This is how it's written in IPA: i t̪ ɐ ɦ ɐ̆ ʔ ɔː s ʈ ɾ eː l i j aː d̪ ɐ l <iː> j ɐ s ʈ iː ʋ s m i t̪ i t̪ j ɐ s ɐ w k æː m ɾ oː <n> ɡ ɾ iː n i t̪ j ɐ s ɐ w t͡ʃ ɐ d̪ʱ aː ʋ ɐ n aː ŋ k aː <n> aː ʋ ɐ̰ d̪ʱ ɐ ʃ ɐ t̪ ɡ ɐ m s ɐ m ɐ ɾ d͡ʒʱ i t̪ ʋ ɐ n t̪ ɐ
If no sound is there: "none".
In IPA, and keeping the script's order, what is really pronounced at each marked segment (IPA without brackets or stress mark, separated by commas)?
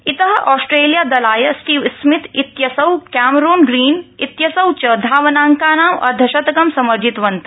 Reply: aː, n, n